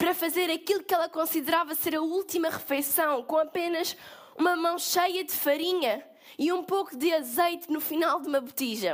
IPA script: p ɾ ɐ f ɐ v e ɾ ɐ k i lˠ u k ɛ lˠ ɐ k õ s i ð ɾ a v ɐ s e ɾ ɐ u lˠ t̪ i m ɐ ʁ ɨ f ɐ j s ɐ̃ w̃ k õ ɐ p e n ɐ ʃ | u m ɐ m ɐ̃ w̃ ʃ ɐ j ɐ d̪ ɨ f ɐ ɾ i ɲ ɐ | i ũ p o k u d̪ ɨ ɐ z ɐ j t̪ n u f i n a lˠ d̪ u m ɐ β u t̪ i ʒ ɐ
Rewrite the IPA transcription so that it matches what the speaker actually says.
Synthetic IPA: p ɾ ɐ f ɐ z e ɾ ɐ k i lˠ u k ɛ lˠ ɐ k õ s i ð ɾ a v ɐ s e ɾ ɐ u lˠ t̪ i m ɐ ʁ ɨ f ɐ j s ɐ̃ w̃ k õ ɐ p e n ɐ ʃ | u m ɐ m ɐ̃ w̃ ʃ ɐ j ɐ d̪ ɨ f ɐ ɾ i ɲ ɐ | i ũ p o k u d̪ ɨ ɐ z ɐ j t̪ n u f i n a lˠ d̪ u m ɐ β u t̪ i ʒ ɐ